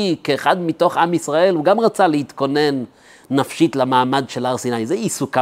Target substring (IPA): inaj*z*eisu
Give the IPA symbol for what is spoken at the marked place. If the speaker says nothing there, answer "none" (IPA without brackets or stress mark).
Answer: z